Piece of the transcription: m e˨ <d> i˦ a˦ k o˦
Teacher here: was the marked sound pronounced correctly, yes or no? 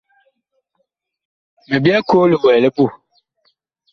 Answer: no